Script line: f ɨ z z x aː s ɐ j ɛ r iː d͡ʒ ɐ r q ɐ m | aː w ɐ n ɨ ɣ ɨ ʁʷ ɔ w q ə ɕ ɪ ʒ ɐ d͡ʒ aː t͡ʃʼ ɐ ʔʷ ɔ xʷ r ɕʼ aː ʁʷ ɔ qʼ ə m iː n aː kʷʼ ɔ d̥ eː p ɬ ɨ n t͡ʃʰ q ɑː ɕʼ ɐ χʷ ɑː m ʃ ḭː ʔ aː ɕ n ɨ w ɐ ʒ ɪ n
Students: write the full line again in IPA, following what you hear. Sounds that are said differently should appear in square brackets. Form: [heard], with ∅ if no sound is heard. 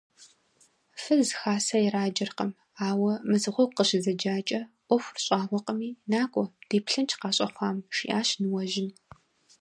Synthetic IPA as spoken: f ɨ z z x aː s ɐ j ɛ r [aː] d͡ʒ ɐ r q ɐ m | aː w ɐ [m] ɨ [z] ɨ ʁʷ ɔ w q ə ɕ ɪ [z] ɐ d͡ʒ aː t͡ʃʼ ɐ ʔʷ ɔ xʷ r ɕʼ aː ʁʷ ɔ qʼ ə m iː n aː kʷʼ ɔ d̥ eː p ɬ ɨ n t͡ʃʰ q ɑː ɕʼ ɐ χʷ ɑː m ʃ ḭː ʔ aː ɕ n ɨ w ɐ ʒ ɪ n